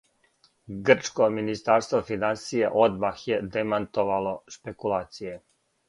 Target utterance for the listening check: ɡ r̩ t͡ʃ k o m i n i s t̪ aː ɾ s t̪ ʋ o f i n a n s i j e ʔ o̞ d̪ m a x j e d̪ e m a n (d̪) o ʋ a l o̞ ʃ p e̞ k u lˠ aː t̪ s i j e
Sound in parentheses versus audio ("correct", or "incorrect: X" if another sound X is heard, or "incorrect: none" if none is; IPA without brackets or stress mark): incorrect: t̪